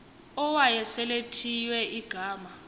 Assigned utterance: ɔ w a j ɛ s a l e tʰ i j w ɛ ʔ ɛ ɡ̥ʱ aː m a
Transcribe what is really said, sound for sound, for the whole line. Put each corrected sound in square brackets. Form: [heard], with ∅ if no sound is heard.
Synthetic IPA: ɔ w a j ɛ s [ɛ] l e tʰ i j w ɛ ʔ [i] ɡ̥ʱ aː m a

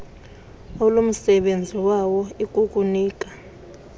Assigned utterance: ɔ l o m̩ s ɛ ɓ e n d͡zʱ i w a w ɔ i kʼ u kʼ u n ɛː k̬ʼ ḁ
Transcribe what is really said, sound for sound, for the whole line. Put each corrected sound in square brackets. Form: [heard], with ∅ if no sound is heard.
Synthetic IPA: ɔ l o m̩ s ɛ ɓ e n d͡zʱ i w a w ɔ i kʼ u kʼ u n [iː] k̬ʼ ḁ

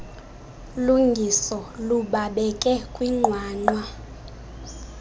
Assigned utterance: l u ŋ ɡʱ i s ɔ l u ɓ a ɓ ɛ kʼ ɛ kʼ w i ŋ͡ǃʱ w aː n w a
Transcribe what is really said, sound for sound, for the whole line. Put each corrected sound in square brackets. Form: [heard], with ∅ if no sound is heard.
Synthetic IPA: l u ŋ ɡʱ i s ɔ l u ɓ a ɓ ɛ kʼ ɛ kʼ w i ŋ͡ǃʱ w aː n w a

